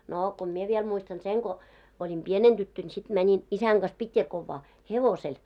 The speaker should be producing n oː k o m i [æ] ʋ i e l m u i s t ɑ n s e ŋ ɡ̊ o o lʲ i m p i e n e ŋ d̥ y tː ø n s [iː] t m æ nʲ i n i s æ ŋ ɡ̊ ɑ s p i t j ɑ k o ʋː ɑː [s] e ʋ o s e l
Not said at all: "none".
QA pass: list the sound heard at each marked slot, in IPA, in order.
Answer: e, i, h

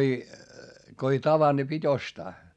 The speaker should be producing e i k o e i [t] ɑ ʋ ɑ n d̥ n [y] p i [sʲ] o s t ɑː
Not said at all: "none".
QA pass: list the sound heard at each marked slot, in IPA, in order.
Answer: t, i, tʲ

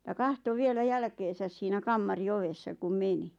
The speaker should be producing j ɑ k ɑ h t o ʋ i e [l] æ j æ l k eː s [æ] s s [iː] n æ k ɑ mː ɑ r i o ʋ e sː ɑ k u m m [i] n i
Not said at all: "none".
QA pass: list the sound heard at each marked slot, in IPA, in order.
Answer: l, æ, iː, e

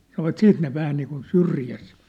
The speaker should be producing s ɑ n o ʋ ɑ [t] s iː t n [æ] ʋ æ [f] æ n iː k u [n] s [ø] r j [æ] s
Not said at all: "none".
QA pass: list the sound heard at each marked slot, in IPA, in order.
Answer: t, e, h, n, y, æ

